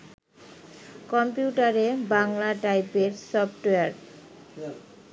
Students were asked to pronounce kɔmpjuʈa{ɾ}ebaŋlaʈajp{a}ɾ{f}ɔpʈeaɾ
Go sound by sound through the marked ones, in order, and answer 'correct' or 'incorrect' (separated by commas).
correct, incorrect, incorrect